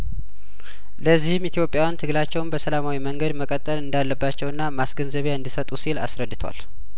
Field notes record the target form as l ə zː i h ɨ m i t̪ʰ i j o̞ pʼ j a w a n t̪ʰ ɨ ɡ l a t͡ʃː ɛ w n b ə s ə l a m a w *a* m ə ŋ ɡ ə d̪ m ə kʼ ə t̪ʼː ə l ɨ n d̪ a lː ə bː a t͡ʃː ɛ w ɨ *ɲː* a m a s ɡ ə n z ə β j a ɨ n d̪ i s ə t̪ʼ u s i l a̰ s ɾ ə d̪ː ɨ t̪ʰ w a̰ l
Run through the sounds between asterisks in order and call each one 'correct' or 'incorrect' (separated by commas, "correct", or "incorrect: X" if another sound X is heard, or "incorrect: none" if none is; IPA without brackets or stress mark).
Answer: incorrect: i, incorrect: nː